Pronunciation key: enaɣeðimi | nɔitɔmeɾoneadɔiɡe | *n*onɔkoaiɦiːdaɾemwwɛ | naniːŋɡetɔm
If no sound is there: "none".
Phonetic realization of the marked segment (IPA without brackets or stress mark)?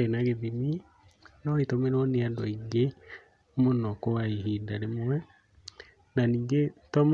m